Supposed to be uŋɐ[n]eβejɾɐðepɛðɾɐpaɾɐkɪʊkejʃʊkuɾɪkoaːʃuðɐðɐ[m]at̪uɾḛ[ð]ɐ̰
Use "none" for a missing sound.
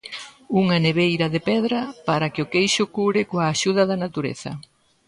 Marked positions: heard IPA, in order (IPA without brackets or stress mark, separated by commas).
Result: n, n, θ